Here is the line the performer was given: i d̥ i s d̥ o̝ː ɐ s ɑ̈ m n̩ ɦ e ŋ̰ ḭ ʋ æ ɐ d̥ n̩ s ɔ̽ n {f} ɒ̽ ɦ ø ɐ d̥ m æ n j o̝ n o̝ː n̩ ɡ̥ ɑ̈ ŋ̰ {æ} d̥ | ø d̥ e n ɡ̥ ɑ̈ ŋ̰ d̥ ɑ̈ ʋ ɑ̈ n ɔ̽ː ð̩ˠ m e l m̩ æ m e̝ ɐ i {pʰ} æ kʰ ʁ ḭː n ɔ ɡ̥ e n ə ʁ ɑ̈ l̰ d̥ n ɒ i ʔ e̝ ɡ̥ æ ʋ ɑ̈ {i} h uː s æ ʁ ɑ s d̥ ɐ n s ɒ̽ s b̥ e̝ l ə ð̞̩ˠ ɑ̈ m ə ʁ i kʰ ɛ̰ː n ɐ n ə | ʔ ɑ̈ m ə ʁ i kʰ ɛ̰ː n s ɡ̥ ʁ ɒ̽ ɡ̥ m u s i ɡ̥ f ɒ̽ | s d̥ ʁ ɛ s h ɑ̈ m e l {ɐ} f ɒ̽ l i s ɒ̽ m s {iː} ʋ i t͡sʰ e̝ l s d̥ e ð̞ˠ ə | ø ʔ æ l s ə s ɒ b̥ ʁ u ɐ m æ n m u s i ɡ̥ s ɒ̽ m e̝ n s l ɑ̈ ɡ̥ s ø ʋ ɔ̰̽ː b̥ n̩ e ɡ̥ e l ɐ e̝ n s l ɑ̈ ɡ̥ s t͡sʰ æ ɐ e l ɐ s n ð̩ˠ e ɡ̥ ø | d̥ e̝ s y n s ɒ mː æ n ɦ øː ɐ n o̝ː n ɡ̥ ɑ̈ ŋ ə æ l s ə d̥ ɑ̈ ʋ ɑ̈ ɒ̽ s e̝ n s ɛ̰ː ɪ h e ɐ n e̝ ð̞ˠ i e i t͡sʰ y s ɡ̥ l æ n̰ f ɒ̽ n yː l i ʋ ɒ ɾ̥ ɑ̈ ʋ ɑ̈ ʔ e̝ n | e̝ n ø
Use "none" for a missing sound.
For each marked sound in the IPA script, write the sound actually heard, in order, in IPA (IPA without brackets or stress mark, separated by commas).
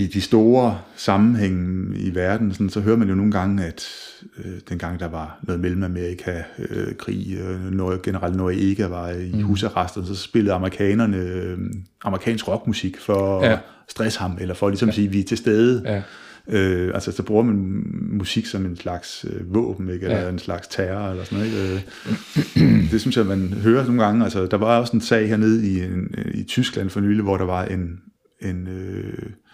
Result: s, æ, kʰ, i, ɐ, iː